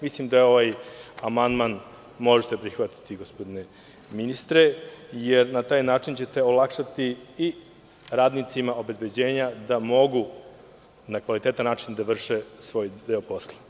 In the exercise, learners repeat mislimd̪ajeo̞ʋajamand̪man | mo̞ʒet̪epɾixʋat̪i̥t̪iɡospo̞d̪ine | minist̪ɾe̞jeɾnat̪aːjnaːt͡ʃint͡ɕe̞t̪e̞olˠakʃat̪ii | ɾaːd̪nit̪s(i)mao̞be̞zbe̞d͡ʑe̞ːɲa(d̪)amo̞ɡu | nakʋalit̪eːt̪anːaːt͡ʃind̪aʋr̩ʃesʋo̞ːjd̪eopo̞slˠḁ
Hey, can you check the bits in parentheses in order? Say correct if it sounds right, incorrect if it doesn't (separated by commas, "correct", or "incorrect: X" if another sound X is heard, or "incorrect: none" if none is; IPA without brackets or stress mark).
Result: correct, correct